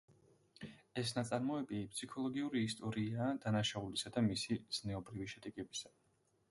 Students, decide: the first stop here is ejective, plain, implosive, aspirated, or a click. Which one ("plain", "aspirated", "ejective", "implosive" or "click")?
plain